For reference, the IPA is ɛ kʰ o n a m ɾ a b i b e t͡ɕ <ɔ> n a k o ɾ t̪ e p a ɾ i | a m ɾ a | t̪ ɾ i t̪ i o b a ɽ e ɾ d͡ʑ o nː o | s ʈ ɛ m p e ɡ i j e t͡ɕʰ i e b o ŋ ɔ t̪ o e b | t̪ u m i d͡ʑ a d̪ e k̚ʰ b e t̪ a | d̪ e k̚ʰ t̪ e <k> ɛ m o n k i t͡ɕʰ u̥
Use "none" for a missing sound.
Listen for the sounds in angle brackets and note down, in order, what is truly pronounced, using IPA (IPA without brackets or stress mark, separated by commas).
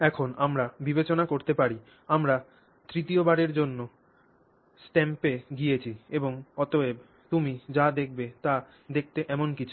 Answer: o, ʔ